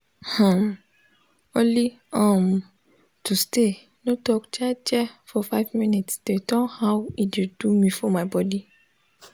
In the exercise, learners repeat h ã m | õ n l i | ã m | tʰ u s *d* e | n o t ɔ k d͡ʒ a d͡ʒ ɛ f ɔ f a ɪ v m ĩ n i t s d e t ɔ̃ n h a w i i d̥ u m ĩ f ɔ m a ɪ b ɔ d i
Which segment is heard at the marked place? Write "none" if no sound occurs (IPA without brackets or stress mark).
t